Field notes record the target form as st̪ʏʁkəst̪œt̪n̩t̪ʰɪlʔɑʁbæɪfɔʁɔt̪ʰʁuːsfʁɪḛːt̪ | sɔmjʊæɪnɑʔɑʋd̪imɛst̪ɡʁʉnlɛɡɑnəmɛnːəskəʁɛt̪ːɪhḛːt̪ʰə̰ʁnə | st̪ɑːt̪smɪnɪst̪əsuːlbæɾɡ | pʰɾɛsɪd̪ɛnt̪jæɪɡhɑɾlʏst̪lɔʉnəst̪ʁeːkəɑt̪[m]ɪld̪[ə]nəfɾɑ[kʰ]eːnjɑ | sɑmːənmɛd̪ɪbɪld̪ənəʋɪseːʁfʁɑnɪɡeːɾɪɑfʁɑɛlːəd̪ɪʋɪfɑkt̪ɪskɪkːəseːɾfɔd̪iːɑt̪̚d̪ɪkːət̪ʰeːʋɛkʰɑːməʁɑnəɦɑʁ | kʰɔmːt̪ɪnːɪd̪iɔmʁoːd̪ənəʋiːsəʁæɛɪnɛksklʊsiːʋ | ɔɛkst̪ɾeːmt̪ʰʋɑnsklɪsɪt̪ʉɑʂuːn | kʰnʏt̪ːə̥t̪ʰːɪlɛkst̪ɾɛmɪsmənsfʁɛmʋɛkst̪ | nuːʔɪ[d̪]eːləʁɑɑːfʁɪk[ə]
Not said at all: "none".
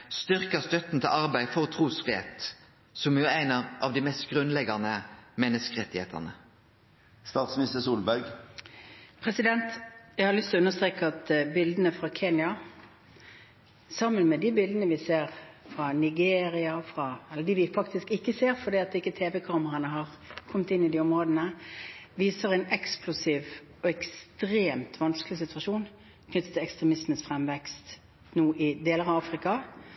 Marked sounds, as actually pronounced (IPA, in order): b, ə, kʰ, d̪, ɑ

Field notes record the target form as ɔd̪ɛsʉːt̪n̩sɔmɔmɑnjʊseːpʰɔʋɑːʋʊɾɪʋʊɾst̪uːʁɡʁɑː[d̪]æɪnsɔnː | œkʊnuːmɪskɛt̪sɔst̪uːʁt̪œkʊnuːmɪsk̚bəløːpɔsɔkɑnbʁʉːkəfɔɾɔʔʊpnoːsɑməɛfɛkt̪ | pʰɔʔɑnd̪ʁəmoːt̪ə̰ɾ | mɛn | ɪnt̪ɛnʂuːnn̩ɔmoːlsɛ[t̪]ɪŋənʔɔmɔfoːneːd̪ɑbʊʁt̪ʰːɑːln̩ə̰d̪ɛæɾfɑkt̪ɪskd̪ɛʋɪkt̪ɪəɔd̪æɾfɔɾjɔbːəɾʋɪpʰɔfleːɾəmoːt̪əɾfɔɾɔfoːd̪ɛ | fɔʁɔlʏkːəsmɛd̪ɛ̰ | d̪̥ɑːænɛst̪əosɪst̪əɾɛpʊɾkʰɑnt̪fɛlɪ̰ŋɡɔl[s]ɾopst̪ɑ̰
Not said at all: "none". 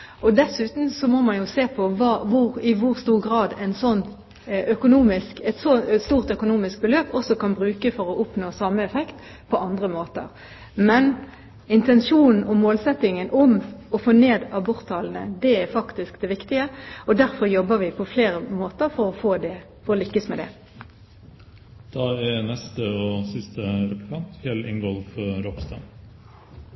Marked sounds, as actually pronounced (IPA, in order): d̪, t̪, f

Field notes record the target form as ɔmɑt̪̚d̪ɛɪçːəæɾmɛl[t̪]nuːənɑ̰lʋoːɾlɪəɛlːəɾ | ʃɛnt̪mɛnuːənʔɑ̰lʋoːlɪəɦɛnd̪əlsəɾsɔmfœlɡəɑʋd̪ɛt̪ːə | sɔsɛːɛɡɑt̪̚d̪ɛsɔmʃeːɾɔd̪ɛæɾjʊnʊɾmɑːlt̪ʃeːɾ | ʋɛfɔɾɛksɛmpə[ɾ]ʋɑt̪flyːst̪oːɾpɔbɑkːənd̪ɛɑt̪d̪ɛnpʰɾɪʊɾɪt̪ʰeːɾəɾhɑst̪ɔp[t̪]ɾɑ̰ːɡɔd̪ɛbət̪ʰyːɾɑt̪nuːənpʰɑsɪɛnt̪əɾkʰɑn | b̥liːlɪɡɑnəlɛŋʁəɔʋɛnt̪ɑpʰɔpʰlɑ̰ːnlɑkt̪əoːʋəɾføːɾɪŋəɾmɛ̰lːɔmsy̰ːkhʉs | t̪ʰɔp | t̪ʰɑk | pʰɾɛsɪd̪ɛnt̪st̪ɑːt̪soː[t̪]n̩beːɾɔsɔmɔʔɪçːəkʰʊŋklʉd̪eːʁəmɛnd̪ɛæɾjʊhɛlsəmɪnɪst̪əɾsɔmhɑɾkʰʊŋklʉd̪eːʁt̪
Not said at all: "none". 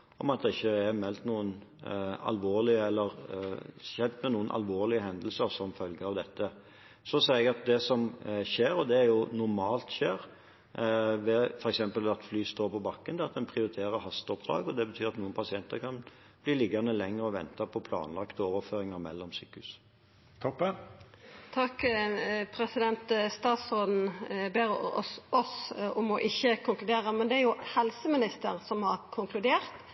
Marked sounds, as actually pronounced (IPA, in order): t̪, l, d̪, d̪

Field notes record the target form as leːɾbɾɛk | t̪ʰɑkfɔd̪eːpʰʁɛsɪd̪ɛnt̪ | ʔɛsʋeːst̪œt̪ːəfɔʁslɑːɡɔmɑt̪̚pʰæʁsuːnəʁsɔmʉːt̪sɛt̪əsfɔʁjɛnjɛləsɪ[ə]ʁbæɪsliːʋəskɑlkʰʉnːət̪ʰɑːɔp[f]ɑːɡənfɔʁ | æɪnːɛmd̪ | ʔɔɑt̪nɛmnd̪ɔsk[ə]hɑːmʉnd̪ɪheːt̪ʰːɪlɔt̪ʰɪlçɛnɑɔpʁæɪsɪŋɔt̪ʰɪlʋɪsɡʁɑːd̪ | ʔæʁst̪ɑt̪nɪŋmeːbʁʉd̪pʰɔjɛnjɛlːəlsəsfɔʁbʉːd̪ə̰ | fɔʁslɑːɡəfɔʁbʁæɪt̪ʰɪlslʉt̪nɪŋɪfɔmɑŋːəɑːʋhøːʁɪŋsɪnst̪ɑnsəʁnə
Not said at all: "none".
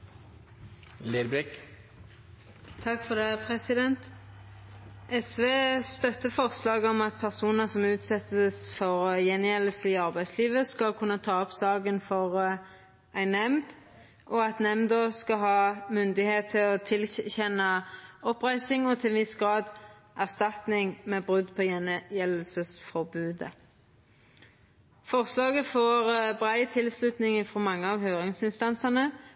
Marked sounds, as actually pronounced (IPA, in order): ɑ, s, ɑ

